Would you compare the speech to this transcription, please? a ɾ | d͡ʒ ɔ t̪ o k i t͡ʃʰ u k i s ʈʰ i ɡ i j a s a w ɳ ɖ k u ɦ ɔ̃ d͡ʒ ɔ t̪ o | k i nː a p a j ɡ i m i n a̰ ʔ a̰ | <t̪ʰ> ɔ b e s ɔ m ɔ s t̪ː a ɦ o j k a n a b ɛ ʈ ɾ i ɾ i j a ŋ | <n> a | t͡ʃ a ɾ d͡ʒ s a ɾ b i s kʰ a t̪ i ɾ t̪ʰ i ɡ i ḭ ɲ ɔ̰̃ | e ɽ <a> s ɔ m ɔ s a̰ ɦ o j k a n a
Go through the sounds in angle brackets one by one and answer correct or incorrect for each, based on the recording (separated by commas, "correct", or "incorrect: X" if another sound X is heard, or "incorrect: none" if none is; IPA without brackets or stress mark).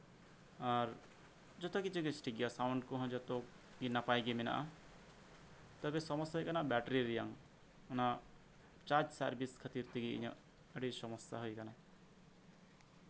incorrect: t̪, correct, incorrect: i